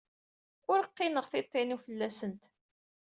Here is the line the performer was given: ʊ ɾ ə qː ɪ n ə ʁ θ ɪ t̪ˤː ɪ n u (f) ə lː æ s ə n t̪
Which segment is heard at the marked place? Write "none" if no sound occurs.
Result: f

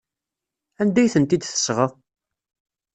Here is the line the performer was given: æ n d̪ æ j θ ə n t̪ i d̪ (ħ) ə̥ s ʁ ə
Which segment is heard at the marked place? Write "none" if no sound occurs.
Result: θ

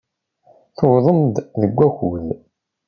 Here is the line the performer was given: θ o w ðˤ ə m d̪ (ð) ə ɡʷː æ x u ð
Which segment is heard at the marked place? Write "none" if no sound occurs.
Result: ð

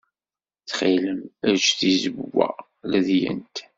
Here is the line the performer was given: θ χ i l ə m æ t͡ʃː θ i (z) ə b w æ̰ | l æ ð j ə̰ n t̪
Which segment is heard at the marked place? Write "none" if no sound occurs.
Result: z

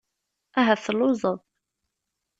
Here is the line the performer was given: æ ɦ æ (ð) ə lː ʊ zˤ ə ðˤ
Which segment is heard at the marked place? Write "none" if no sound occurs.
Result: θ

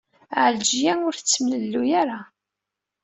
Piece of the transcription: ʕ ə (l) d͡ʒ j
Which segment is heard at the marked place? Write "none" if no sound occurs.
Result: l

